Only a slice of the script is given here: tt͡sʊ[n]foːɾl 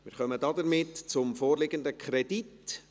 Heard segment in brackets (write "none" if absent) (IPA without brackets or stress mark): m